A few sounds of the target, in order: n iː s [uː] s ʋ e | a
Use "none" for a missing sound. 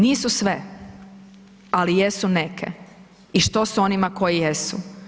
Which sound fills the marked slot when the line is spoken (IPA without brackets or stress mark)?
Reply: u